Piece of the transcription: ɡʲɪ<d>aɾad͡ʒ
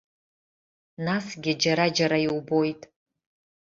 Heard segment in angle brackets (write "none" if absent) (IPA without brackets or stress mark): d͡ʒ